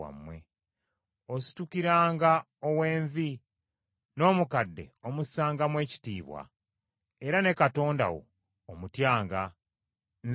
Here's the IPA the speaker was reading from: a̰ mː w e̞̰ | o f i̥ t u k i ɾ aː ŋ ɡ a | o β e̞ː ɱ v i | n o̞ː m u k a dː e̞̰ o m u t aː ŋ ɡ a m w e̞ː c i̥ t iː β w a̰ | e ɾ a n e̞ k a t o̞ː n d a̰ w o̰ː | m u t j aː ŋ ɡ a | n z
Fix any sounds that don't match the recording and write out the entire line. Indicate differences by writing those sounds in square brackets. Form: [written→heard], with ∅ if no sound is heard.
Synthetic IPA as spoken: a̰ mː w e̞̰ | o [f→s] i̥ t u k i ɾ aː ŋ ɡ a | o [β→w] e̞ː ɱ v i | n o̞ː m u k a dː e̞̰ o m u [t→s] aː ŋ ɡ a m w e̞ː c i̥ t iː β w a̰ | e ɾ a n e̞ k a t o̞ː n d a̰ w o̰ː | m u t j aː ŋ ɡ a | n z